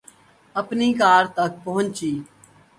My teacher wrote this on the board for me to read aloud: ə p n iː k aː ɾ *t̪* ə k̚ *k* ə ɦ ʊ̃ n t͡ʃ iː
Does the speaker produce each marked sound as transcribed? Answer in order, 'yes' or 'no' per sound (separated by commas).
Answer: yes, no